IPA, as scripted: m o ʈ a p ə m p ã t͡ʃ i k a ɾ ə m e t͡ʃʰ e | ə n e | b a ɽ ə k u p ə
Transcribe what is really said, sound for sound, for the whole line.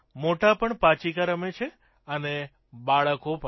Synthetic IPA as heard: m o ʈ a p ə ɳ p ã t͡ʃ i k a ɾ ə m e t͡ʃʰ e | ə n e | b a ɭ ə k o p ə